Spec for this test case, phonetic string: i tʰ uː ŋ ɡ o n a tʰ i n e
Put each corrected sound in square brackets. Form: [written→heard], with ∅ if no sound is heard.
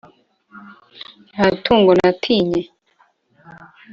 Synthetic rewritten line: [i→a] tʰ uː ŋ ɡ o n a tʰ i [n→ɲ] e